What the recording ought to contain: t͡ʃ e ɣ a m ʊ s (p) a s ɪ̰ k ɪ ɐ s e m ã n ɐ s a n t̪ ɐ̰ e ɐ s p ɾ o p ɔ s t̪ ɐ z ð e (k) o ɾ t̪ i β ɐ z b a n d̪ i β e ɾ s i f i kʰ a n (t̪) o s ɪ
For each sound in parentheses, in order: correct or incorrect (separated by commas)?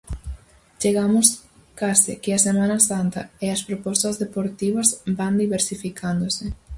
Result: incorrect, incorrect, incorrect